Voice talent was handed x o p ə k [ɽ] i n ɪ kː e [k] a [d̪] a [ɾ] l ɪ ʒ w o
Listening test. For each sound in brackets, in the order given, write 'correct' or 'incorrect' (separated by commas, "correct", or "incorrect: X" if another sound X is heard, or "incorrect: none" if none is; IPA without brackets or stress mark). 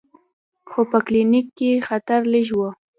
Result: incorrect: l, incorrect: x, incorrect: t̪, correct